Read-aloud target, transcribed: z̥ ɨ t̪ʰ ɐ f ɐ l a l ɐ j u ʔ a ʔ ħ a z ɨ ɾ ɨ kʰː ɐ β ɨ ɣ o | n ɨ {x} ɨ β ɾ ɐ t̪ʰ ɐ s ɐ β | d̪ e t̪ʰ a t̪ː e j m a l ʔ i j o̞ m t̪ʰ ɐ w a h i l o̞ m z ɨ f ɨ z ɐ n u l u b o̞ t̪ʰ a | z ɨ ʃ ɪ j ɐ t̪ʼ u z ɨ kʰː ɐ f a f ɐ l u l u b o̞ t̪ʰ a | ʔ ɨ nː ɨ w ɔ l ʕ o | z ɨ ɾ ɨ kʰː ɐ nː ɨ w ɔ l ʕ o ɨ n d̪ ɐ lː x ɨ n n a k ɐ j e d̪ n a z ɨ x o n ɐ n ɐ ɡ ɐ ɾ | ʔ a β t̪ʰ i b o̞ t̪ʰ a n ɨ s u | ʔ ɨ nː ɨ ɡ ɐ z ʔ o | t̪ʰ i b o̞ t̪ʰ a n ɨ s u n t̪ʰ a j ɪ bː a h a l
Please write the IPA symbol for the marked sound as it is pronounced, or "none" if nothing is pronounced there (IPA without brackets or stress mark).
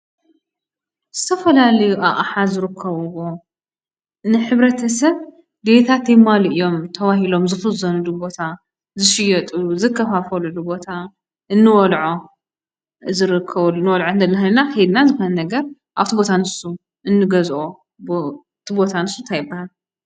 ħ